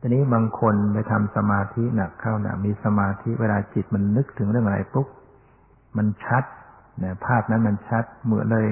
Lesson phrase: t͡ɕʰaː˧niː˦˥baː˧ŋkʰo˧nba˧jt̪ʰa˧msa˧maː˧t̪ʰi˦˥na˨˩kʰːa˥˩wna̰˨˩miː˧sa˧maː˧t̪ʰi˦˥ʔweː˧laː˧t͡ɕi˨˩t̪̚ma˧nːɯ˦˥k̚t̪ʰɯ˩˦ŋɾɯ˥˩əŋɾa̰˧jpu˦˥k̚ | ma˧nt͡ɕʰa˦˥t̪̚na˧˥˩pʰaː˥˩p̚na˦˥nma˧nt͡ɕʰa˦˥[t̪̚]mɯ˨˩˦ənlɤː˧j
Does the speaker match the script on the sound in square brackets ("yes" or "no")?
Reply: yes